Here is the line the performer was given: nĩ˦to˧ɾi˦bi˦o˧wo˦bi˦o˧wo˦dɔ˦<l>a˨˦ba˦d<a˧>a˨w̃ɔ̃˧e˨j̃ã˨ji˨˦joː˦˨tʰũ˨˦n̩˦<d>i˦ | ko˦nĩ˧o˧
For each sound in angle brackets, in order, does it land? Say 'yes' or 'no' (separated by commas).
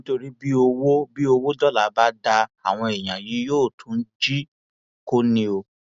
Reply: yes, yes, no